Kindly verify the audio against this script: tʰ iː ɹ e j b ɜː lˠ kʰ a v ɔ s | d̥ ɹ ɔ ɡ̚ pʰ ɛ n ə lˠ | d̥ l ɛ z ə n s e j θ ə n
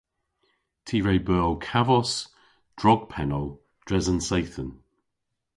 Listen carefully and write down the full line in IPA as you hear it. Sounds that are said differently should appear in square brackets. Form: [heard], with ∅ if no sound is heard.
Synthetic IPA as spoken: tʰ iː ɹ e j b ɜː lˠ kʰ a v ɔ s | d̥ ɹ ɔ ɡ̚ pʰ ɛ n ə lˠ | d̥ [ɹ] ɛ z ə n s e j θ ə n